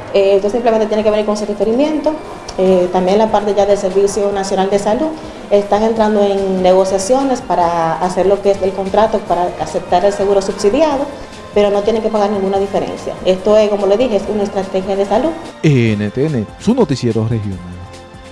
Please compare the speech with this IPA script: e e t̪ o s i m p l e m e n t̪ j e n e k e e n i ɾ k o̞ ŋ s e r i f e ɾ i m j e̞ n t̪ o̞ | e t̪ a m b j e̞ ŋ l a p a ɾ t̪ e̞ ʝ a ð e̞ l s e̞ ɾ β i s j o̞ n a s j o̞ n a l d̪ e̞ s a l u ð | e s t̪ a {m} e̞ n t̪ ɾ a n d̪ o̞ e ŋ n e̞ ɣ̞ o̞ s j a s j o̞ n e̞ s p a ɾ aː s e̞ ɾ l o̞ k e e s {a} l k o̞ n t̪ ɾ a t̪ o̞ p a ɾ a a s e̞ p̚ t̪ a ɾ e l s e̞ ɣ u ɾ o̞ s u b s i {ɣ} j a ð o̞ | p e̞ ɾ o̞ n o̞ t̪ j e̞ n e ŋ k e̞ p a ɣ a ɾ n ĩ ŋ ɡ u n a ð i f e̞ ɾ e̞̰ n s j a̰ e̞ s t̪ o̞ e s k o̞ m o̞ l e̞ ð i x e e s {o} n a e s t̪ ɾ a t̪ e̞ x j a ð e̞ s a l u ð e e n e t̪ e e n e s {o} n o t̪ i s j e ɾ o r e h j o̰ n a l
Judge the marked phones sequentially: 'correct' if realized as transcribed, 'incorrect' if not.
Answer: incorrect, incorrect, incorrect, incorrect, incorrect

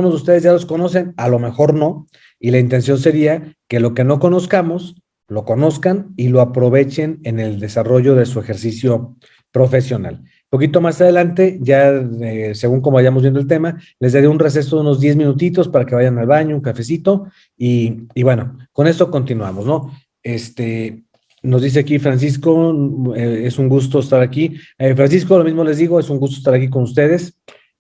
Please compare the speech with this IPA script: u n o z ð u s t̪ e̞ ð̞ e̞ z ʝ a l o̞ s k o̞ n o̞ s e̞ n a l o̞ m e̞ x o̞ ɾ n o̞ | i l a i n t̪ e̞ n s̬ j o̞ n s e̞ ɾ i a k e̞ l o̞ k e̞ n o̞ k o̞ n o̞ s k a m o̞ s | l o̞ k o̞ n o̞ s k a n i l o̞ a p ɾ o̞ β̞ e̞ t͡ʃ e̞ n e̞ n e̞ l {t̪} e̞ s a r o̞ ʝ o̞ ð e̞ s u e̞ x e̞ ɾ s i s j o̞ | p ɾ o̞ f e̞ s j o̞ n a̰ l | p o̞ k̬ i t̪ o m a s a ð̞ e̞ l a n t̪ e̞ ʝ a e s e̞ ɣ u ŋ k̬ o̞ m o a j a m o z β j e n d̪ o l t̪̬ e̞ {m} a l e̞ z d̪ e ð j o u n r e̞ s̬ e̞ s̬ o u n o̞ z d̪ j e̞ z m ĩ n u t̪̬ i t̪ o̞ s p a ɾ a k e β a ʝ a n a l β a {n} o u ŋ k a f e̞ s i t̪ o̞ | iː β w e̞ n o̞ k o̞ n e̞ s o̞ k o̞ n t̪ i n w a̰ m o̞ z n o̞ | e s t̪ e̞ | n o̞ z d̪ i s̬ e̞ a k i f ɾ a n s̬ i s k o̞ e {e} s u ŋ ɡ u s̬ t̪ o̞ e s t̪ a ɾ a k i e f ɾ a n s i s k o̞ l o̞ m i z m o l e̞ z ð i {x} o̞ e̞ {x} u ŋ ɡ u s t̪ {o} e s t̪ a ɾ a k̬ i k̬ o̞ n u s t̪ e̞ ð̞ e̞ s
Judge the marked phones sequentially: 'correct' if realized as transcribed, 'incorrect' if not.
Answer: incorrect, correct, incorrect, correct, incorrect, incorrect, correct

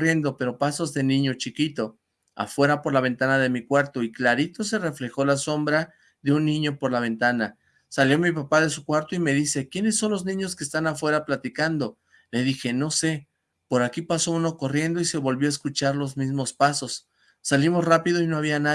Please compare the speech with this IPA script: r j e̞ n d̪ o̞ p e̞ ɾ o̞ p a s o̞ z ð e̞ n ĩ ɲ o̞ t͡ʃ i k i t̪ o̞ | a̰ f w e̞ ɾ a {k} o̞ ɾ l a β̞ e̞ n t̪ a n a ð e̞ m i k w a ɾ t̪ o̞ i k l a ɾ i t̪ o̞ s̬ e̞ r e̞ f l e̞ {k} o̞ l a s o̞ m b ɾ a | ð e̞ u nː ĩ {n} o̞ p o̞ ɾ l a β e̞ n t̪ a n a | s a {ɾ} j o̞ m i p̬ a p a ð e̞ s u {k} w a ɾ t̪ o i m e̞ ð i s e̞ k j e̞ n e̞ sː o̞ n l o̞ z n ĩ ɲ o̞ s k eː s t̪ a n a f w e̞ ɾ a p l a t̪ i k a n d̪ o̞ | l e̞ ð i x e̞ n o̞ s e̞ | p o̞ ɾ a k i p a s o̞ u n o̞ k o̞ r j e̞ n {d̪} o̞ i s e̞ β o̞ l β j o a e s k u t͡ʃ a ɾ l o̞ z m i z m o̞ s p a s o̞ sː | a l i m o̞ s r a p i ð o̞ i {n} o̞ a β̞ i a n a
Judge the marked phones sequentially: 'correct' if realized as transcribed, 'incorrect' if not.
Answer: incorrect, incorrect, incorrect, incorrect, correct, correct, correct

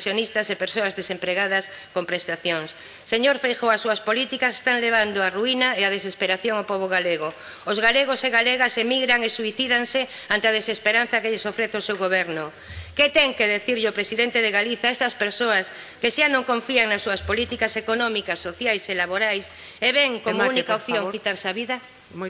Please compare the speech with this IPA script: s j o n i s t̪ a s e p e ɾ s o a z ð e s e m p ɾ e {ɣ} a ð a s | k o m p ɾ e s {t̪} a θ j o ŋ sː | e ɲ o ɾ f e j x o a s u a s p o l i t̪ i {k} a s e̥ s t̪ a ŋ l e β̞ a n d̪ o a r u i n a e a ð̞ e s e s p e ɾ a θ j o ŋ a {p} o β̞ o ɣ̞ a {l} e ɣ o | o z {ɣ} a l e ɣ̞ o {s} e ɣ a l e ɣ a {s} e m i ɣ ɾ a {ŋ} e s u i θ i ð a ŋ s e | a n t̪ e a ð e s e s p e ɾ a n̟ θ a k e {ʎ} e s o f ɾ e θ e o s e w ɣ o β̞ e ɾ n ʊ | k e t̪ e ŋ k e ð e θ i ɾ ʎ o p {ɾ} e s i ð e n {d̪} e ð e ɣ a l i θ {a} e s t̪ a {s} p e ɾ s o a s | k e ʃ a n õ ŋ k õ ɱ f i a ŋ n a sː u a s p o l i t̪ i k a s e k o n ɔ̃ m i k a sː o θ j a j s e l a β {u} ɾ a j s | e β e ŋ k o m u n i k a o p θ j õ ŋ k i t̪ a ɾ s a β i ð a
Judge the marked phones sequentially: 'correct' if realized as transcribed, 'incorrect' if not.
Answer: correct, correct, correct, correct, correct, correct, correct, correct, correct, correct, correct, incorrect, correct, correct, incorrect

